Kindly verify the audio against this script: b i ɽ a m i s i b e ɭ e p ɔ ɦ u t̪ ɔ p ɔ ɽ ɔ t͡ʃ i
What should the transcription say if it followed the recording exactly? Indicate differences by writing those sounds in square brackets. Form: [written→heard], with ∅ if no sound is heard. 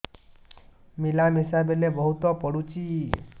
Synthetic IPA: [b→m] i [ɽ→l] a m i s [i→a] b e [ɭ→l] e [p→b] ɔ ɦ u t̪ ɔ p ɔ ɽ [ɔ→u] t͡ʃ i